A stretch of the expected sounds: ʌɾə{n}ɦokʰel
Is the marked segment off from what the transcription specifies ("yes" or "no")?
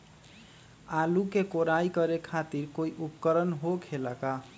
no